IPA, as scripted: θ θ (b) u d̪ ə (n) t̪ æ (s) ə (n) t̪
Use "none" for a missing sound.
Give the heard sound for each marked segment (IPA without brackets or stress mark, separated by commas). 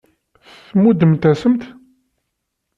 m, m, s, m